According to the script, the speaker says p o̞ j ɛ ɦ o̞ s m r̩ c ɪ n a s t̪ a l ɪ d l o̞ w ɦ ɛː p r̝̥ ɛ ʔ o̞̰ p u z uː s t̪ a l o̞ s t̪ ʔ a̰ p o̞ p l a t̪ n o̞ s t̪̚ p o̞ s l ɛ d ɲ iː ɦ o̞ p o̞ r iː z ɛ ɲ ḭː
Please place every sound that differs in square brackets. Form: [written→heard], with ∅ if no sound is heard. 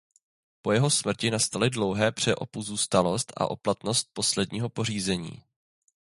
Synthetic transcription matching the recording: p o̞ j ɛ ɦ o̞ s m r̩ c ɪ n a s t̪ a l ɪ d l o̞ w ɦ ɛː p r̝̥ ɛ ʔ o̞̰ p u z uː s t̪ a l o̞ s t̪ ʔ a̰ [p→ʔ] o̞ p l a t̪ n o̞ s t̪̚ p o̞ s l ɛ d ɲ iː ɦ o̞ p o̞ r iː z ɛ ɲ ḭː